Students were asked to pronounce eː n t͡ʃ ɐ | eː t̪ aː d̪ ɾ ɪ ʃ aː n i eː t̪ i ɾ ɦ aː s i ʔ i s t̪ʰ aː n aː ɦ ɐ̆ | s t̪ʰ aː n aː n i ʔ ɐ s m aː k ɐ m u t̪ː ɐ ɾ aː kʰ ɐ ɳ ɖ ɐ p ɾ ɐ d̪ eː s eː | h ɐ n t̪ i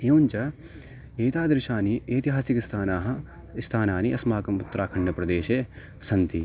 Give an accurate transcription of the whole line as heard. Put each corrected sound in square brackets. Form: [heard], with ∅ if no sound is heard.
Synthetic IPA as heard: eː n t͡ʃ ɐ | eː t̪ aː d̪ ɾ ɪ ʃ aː n i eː t̪ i [∅] ɦ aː s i [k] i s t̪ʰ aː n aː ɦ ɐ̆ | s t̪ʰ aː n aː n i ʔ ɐ s m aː k ɐ m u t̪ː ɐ ɾ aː kʰ ɐ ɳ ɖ ɐ p ɾ ɐ d̪ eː [ʃ] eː | [s] ɐ n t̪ i